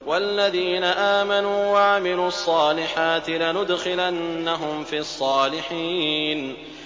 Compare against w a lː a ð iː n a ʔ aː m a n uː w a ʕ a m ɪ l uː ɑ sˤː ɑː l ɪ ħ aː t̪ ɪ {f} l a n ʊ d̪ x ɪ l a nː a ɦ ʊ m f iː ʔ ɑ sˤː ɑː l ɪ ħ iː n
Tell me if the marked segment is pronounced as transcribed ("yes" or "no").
no